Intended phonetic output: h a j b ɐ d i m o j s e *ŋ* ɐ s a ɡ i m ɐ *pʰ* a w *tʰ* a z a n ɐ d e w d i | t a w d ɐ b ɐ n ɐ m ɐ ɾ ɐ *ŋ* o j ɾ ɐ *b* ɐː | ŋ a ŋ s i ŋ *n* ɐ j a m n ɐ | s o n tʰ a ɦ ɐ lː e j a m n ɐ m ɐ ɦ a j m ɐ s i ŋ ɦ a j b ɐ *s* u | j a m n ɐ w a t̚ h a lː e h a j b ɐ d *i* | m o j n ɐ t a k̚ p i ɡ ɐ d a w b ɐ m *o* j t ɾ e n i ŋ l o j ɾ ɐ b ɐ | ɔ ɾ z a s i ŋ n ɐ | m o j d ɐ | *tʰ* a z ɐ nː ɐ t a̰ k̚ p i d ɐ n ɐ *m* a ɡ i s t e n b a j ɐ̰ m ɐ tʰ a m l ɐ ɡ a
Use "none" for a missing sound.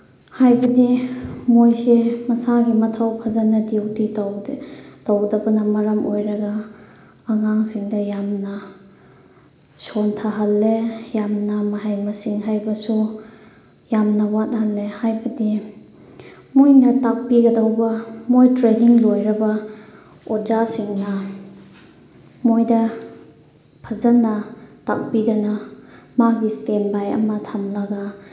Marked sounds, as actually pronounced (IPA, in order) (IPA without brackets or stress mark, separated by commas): m, tʰ, pʰ, m, ɡ, d, s, i, o, pʰ, m